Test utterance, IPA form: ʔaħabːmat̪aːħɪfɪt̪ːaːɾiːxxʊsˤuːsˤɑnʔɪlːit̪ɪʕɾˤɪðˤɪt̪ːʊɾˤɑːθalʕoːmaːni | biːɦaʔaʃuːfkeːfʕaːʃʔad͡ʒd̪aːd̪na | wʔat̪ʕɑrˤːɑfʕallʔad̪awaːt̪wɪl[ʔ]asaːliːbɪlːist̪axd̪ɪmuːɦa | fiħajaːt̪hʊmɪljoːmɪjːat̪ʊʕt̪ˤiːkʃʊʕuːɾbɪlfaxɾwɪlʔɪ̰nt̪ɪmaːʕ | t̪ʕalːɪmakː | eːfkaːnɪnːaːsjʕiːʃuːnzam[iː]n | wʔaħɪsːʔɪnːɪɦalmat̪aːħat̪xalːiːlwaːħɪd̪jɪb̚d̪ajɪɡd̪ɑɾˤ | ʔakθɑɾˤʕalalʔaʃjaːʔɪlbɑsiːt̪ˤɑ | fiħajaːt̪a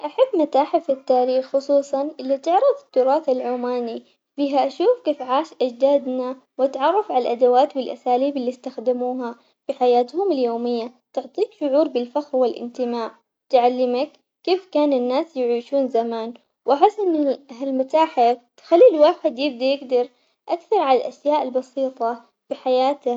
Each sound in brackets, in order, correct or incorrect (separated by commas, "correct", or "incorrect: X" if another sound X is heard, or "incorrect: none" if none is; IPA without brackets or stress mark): correct, incorrect: aː